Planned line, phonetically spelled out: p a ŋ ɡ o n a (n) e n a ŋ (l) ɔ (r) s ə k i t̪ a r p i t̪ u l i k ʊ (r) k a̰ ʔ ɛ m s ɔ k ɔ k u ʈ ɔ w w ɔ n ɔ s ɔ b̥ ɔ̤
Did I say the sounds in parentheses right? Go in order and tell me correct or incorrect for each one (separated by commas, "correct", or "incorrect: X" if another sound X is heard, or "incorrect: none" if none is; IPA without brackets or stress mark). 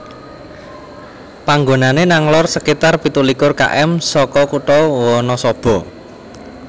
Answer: correct, correct, correct, correct